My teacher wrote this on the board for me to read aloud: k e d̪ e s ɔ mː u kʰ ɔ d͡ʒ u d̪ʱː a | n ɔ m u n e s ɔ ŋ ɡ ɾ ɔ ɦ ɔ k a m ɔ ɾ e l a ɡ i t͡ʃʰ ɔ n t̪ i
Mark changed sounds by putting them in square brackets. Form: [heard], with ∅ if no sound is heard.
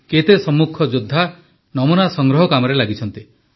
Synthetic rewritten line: k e [t̪] e s ɔ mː u kʰ ɔ d͡ʒ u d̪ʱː a | n ɔ m u n [a] s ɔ ŋ ɡ ɾ ɔ ɦ ɔ k a m ɔ ɾ e l a ɡ i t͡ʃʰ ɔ n t̪ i